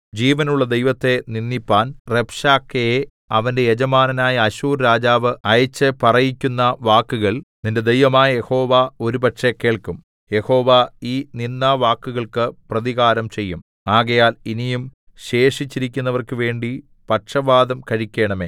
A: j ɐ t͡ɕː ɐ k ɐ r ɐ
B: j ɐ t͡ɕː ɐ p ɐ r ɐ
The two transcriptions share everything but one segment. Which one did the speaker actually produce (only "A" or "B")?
B